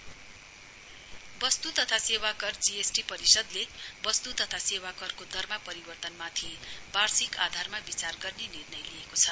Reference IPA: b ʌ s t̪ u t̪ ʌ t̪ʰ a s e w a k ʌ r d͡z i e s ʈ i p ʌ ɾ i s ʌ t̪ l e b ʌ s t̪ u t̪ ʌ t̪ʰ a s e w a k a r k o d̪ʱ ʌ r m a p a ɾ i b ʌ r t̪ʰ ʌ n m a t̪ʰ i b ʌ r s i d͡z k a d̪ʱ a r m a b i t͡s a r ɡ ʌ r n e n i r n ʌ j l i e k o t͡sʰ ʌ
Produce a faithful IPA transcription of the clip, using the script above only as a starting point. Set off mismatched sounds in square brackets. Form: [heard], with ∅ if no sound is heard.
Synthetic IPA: b ʌ s t̪ u t̪ ʌ t̪ʰ a s e w a k ʌ r d͡z i e s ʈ i p ʌ ɾ i s ʌ [d̪] l e b ʌ s t̪ u t̪ ʌ t̪ʰ a s e w a k [ʌ] r k o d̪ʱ ʌ r m a p [ʌ] ɾ i b ʌ r [t̪] ʌ n m a t̪ʰ i b [a] r s i [∅] k a d̪ʱ a r m a b i t͡s a r ɡ ʌ r n e n i r n ʌ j l i e k o t͡sʰ ʌ